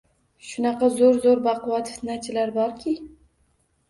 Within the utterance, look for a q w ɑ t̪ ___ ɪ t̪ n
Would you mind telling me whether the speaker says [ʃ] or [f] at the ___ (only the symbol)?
f